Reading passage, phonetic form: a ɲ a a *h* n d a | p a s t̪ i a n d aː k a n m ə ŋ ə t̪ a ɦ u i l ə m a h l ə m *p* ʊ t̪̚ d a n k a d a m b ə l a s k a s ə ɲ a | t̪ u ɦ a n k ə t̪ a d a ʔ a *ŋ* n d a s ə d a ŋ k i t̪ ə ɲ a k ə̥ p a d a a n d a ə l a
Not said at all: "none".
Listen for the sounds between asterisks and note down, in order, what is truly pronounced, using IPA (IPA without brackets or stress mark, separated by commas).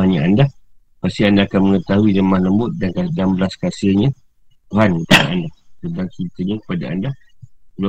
none, b, none